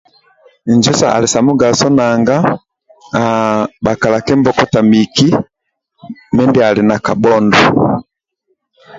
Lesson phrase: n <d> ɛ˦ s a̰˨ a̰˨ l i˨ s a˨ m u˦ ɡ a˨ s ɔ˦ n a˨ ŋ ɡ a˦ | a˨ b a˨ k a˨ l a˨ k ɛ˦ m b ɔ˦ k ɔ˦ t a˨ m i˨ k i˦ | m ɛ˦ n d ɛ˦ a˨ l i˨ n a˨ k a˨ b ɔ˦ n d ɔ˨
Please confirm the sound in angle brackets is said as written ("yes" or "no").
no